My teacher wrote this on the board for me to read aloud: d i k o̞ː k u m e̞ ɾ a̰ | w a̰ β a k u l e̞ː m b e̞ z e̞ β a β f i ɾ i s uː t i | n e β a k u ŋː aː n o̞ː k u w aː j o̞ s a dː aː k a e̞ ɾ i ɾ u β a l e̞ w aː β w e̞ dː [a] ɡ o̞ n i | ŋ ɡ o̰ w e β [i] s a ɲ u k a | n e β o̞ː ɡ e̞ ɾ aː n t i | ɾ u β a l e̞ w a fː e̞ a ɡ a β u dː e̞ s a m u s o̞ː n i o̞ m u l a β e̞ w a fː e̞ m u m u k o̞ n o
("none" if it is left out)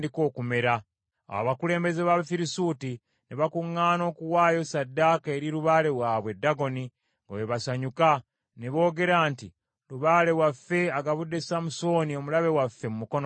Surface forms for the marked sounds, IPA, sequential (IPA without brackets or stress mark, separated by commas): a, a